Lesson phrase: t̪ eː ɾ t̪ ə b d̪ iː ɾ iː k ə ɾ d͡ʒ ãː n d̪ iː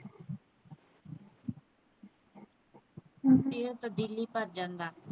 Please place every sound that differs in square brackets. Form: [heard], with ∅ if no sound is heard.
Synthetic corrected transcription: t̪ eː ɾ t̪ ə b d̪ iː [l] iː [p] ə ɾ d͡ʒ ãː n d̪ [aː]